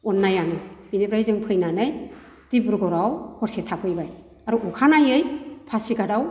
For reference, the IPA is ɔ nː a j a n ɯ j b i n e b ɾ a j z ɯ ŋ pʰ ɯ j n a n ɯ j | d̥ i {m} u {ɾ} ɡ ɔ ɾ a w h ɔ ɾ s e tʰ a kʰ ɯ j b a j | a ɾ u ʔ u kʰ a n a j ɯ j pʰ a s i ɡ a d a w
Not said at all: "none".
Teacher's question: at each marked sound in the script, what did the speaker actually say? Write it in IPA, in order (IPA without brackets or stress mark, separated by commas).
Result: b, ɾ